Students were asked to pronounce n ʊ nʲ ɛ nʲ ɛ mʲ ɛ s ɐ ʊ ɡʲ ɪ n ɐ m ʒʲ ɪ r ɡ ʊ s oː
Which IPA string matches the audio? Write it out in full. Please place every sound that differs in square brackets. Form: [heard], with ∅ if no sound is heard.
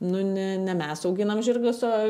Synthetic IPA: n ʊ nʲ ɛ nʲ ɛ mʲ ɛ s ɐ ʊ ɡʲ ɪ n ɐ m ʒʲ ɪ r ɡ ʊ s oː